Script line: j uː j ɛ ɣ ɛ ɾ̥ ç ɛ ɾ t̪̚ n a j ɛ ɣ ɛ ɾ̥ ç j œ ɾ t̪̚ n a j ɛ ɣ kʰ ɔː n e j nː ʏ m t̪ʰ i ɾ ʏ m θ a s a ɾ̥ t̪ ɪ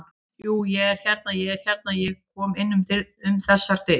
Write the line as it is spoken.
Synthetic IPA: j uː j ɛ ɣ ɛ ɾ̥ ç ɛ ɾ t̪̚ n a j ɛ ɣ ɛ ɾ̥ ç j ɛ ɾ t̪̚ n a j ɛ ɣ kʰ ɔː m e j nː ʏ m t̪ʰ ɪ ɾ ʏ m θ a s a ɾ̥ t̪ ɪ